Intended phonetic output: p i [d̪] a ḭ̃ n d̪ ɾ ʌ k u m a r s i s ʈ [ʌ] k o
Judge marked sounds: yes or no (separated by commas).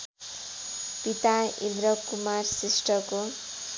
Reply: no, yes